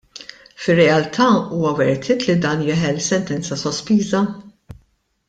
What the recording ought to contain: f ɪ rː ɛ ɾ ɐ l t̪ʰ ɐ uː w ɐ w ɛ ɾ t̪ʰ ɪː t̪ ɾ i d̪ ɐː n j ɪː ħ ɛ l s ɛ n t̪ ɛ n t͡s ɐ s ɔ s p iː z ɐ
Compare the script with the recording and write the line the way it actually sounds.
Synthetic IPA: f ɪ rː ɛ ɐ l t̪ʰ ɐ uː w ɐ w ɛ ɾ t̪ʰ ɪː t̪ l i d̪ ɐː n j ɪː ħ ɛ l s ɛ n t̪ ɛ n t͡s ɐ s ɔ s p iː z ɐ

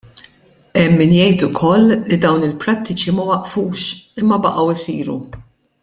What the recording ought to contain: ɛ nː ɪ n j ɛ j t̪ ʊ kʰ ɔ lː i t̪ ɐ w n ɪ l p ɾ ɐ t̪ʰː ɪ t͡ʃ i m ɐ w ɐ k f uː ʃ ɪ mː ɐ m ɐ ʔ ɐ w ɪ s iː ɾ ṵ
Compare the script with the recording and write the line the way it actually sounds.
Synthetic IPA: ɛ mː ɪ n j ɛ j t̪ ʊ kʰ ɔ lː i d̪ ɐ w n ɪ l p ɾ ɐ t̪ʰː ɪ t͡ʃ i m ɐ w ɐ ʔ f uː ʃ ɪ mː ɐ b ɐ ʔ ɐ w ɪ s iː ɾ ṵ

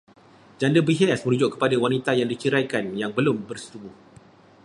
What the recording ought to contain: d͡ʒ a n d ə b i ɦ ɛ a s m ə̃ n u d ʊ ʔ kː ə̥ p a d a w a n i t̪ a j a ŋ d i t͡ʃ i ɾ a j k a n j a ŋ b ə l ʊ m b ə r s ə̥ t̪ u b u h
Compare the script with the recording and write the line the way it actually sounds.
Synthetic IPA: d͡ʒ a n d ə b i ɦ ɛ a s m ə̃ n u d͡ʒ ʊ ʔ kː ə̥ p a d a w a n i t̪ a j a ŋ d i t͡ʃ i ɾ a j k a n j a ŋ b ə l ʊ m b ə r s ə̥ t̪ u b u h

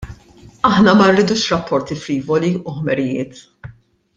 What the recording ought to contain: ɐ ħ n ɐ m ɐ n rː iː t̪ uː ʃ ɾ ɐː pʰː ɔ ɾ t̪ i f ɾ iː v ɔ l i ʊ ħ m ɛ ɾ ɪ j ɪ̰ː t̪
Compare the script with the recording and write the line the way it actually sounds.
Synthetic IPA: ɐ ħ n ɐ m ɐ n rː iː d̪ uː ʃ ɾ ɐ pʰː ɔ ɾ t̪ i f ɾ iː v ɔ l i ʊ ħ m ɛ ɾ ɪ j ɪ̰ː t̪

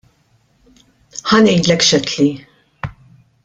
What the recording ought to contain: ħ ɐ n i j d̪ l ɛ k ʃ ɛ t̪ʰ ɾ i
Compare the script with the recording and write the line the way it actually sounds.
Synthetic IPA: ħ ɐ n ɛ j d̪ l ɛ k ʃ ɛ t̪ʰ l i

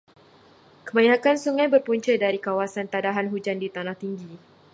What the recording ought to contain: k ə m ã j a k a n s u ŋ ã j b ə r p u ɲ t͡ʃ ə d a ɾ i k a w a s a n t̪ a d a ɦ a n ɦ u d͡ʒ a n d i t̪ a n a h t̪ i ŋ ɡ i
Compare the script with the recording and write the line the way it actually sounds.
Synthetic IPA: k ə m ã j a k a n s u ŋ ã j b ə r p u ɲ t͡ʃ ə d a ɾ i k a w a s a n t̪ a d a ɦ a n ɦ u d͡ʒ a n d i t̪ a n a h t̪ i ŋ ɡ i

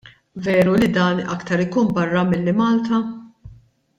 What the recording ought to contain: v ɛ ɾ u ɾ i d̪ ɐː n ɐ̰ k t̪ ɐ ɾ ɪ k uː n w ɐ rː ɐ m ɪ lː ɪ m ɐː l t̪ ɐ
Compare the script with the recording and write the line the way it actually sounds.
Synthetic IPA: v ɛː ɾ u l i d̪ ɐː n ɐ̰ k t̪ ɐ ɾ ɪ k uː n b ɐ rː ɐ m ɪ lː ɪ m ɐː l t̪ ɐ

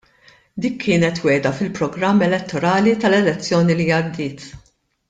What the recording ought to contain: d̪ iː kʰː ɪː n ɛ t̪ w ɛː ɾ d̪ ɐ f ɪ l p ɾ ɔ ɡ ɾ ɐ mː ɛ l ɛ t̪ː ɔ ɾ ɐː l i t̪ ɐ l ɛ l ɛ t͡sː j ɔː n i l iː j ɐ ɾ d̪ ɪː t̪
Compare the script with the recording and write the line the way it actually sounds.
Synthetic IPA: d̪ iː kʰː ɪː n ɛ t̪ w ɛː d̪ ɐ f ɪ l p ɾ ɔ ɡ ɾ ɐ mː ɛ l ɛ t̪ː ɔ ɾ ɐː l i t̪ ɐ l ɛ l ɛ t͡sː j ɔː n i l i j ɐ ɾ d̪ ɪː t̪

